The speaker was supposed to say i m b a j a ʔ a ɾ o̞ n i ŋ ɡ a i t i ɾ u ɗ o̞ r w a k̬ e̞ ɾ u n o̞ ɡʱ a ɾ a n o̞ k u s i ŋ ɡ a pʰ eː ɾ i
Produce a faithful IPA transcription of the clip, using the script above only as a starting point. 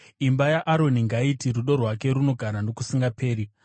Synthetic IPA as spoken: i m b a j a ʔ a ɾ o̞ n i ŋ ɡ a i t i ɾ u ɗ o̞ r w a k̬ e̞ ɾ u n o̞ ɡʱ a ɾ a n o̞ k u s i ŋ ɡ a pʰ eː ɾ i